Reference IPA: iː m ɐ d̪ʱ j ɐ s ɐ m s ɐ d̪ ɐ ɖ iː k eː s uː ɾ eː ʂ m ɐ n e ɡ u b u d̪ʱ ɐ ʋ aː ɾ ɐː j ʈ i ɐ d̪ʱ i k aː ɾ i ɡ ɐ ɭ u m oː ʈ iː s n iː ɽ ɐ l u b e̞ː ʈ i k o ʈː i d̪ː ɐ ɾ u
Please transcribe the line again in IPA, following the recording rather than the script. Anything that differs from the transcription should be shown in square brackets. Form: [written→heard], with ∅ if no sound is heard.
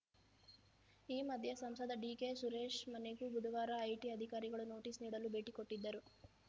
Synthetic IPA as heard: iː m ɐ d̪ʱ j ɐ s ɐ m s ɐ d̪ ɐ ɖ iː k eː s [uː→u] ɾ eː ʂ m ɐ n e ɡ u b u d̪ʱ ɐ ʋ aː ɾ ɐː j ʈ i ɐ d̪ʱ i k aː ɾ i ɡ ɐ ɭ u [m→n] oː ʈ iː s n iː ɽ ɐ l u b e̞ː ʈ i k o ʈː i d̪ː ɐ ɾ u